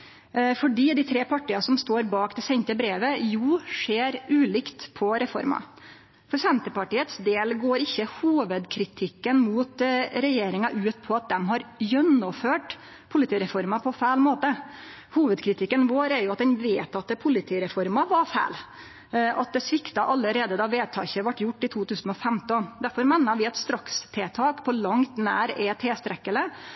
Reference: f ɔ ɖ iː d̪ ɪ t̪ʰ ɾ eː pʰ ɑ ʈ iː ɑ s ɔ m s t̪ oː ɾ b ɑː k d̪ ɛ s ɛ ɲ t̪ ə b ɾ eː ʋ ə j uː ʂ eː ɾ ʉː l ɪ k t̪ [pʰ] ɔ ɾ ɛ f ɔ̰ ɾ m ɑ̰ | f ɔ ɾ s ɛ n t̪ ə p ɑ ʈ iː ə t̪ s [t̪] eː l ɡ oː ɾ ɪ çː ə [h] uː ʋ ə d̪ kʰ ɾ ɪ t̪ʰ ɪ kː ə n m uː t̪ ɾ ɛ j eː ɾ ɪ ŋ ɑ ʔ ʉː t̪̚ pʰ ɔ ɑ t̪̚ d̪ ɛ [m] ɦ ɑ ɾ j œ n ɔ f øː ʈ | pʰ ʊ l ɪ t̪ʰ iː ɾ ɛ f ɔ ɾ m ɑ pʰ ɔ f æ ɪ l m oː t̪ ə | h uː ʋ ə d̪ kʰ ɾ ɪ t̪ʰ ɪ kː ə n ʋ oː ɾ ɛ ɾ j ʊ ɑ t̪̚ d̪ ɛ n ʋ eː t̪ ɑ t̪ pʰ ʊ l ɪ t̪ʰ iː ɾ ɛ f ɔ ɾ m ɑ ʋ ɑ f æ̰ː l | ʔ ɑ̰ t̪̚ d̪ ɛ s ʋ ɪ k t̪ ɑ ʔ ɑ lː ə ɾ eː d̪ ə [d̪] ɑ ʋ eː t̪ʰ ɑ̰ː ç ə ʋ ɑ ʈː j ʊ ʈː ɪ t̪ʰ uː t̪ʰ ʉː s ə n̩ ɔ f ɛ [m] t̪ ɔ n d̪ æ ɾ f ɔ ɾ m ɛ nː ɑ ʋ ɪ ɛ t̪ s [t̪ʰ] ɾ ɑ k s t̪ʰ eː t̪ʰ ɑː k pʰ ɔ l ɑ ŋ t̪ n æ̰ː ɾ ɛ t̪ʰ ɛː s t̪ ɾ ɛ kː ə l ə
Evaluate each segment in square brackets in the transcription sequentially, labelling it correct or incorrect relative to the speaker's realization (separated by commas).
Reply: correct, incorrect, correct, correct, correct, correct, incorrect